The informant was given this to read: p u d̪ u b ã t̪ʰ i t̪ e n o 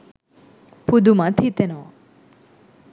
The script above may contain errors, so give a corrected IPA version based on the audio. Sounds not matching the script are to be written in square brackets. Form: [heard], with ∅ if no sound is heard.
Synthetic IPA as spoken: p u d̪ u [m] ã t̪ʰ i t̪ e n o